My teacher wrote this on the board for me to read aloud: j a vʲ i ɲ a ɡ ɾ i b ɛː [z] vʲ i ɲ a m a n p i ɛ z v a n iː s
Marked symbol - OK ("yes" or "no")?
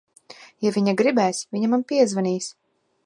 no